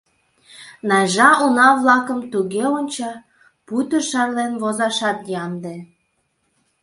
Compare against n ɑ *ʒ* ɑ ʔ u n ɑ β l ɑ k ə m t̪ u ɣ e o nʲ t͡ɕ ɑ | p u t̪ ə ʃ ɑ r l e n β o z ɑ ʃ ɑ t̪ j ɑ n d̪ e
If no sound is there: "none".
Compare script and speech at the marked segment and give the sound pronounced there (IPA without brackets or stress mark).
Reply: ʒ